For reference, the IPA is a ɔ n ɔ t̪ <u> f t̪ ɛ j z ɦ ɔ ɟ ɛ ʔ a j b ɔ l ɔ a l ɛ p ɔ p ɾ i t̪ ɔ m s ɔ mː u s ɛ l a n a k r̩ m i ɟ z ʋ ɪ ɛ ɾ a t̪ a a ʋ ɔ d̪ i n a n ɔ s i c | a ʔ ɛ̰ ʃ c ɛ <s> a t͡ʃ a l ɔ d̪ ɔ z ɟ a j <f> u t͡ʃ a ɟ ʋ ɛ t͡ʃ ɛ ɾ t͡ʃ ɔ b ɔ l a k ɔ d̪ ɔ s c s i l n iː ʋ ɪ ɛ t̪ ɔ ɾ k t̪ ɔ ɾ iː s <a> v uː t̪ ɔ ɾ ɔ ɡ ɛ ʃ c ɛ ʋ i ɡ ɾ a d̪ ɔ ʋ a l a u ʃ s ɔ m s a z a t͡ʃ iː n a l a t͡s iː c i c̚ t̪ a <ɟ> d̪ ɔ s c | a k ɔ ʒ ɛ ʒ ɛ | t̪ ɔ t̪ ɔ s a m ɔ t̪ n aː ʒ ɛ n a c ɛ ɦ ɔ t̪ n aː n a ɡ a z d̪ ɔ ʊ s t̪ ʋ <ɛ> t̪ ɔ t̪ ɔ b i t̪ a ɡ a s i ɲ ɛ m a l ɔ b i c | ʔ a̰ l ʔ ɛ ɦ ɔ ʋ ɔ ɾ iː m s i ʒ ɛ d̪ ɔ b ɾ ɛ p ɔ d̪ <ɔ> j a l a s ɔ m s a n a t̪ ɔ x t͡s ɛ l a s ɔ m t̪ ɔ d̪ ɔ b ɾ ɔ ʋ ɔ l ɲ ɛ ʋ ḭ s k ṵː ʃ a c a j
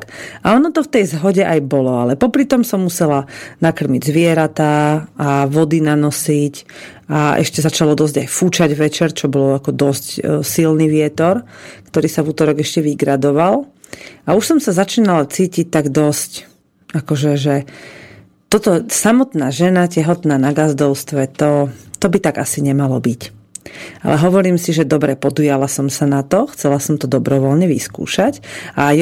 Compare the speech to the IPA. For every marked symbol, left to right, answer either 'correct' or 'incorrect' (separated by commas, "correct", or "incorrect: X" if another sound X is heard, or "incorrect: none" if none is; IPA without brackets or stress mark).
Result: incorrect: ɔ, incorrect: z, correct, correct, incorrect: ɡ, correct, incorrect: u